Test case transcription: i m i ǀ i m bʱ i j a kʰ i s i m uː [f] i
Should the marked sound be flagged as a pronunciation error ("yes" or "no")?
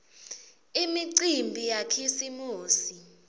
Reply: yes